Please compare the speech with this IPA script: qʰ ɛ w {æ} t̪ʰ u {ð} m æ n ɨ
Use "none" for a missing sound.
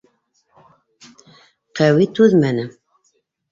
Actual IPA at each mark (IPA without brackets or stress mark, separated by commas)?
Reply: i, ð